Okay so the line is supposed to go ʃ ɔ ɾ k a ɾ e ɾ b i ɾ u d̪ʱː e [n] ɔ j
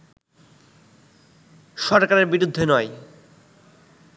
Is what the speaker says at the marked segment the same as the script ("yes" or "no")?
yes